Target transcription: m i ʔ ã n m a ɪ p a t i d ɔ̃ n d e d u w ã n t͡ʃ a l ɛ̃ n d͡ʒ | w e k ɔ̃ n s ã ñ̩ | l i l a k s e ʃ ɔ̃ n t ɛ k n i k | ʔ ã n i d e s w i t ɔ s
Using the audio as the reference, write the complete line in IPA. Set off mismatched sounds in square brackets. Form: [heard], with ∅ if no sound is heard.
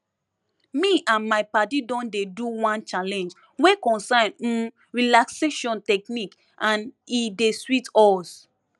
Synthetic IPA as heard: m i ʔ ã n m a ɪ p a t i d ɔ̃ n d e d u w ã n t͡ʃ a l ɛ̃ n d͡ʒ | w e k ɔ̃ n s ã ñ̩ | [ɹ] i l a k s e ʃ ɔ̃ n t ɛ k n i k | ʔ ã n i d e s w i t ɔ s